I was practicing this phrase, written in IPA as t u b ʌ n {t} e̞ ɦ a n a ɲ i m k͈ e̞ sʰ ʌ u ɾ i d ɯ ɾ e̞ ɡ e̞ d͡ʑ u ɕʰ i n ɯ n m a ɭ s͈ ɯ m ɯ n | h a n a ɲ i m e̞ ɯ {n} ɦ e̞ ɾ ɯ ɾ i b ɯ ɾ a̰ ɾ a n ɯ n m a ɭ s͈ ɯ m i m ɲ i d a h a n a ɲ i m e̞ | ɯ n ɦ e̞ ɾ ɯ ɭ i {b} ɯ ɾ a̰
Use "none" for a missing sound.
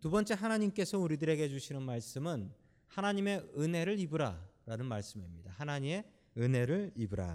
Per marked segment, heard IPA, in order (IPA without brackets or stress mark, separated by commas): t͡ɕ͈, n, b